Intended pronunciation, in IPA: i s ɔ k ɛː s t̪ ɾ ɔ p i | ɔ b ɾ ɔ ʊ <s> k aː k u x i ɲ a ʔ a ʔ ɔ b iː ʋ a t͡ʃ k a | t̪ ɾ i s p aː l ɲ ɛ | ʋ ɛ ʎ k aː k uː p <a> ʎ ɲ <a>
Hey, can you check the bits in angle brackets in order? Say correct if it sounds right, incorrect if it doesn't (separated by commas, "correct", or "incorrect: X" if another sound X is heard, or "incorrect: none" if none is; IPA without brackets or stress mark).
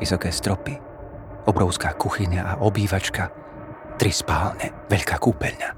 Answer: correct, incorrect: ɛ, correct